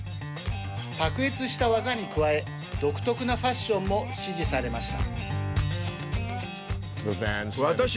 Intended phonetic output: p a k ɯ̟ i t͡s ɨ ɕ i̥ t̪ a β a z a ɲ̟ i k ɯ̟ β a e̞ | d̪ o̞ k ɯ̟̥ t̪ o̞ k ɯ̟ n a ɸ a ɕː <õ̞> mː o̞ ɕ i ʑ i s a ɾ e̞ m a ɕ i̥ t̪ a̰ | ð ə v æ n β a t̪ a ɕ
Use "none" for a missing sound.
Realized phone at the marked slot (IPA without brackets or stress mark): õ̞